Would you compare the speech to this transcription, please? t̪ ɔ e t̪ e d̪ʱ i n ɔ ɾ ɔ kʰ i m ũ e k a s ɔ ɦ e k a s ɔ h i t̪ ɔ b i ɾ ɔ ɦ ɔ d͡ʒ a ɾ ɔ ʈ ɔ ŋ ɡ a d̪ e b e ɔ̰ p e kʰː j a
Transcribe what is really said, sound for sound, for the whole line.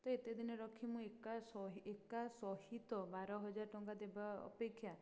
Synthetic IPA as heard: t̪ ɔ e t̪ e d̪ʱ i n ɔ ɾ ɔ kʰ i m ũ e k a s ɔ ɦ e k a s ɔ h i t̪ ɔ b a ɾ ɔ ɦ ɔ d͡ʒ a ɾ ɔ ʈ ɔ ŋ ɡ a d̪ e b a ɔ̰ p e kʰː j a